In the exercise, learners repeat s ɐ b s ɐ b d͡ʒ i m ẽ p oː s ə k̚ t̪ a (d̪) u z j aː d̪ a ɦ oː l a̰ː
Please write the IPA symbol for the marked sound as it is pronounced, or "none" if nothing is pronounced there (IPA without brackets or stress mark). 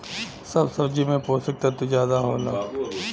t̪